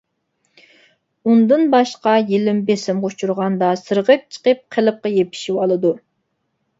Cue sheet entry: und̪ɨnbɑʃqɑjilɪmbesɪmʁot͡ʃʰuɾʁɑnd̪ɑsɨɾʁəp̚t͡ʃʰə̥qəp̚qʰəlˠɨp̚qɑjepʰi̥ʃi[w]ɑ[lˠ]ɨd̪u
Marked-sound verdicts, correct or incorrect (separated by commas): correct, correct